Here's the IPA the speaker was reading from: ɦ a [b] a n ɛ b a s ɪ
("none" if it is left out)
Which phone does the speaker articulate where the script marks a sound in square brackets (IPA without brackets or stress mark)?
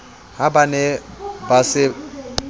b